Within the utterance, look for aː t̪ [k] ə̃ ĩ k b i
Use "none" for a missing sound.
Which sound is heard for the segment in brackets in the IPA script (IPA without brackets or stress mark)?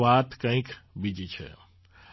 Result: k